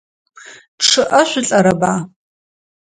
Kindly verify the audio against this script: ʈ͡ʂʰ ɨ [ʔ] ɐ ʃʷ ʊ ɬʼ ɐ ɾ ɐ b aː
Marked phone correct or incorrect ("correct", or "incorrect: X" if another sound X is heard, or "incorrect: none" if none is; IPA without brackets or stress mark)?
correct